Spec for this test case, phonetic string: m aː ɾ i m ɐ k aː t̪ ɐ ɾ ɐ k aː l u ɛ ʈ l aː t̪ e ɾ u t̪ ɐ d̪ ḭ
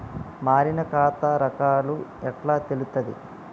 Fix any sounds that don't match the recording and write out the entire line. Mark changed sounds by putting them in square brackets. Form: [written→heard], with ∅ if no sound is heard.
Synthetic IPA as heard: m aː ɾ i [m→n] ɐ k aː t̪ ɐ ɾ ɐ k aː l u ɛ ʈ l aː t̪ e [ɾ→l] u t̪ ɐ d̪ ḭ